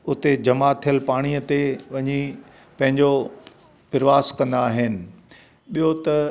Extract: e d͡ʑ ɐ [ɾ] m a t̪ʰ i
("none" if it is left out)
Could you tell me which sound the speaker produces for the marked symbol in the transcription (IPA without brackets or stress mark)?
none